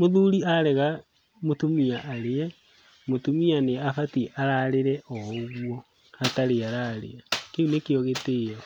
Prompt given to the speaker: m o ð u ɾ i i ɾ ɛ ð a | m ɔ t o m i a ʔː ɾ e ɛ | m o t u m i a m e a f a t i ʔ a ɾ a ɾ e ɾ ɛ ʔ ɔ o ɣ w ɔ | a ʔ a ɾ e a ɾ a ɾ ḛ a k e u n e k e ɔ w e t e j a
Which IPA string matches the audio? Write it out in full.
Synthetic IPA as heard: m o ð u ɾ i a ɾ ɛ ɣ a | m o t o m i a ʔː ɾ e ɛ | m o t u m i a n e a f a t i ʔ a ɾ a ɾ e ɾ ɛ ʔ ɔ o ɣ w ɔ | a t a ɾ e a ɾ a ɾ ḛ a k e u n e k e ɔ ɣ e t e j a